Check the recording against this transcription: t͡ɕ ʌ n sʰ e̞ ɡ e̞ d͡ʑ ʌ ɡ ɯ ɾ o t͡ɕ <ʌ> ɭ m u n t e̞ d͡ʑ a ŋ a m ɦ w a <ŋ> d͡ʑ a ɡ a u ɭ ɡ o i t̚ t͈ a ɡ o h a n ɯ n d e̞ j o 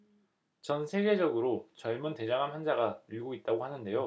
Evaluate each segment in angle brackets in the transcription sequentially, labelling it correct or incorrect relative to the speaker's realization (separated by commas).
correct, incorrect